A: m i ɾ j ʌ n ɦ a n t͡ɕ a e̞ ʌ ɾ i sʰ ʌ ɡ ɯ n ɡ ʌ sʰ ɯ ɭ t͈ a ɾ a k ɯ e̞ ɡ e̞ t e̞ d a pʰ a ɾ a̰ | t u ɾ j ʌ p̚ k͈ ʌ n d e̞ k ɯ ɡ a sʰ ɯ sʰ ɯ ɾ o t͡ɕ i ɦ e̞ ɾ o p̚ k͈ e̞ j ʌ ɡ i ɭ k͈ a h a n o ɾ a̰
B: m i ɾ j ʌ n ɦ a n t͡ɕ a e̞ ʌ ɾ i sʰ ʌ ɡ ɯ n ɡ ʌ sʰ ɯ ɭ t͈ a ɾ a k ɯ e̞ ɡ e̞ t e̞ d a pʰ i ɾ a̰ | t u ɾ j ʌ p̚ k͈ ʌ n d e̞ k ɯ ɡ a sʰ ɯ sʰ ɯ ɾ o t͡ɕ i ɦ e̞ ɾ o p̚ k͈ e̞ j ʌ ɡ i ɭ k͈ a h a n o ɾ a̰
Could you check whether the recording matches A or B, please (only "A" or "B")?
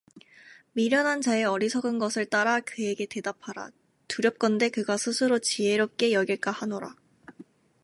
A